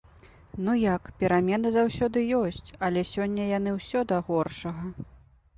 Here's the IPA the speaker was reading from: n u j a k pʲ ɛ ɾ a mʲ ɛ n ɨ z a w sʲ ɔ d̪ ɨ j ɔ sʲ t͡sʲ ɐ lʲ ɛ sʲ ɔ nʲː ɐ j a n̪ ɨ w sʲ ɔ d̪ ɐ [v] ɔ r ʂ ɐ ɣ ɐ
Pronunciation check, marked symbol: incorrect: ɣ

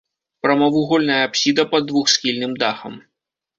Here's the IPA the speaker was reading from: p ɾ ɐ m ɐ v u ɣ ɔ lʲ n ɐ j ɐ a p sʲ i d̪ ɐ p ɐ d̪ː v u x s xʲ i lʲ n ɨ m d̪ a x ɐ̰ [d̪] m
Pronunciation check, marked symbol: incorrect: none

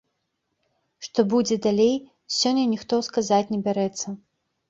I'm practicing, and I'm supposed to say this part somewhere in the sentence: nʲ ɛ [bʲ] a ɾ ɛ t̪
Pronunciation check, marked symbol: correct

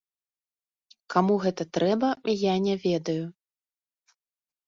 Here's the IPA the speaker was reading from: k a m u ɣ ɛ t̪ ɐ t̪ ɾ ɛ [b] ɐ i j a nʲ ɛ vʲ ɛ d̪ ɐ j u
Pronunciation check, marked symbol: correct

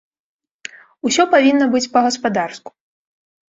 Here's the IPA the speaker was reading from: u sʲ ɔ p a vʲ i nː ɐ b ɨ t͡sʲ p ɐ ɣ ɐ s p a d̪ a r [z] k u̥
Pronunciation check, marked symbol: incorrect: s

